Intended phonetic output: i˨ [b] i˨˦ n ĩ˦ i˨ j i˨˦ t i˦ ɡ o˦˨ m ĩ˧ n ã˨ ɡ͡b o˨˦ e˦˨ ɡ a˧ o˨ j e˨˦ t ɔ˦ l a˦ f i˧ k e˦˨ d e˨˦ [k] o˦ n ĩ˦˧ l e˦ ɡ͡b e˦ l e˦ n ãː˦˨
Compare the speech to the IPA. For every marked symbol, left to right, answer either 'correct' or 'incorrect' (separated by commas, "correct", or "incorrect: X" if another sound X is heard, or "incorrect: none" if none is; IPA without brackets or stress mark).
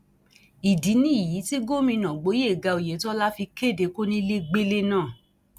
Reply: incorrect: d, correct